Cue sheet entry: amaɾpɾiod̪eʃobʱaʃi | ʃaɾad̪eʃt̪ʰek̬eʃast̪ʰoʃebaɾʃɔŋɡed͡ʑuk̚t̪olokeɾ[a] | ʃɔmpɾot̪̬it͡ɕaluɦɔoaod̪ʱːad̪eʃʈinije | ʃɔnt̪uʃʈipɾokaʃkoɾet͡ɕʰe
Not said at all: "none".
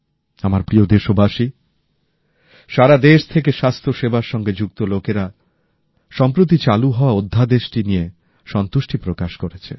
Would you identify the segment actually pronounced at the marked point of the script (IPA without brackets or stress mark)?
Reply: a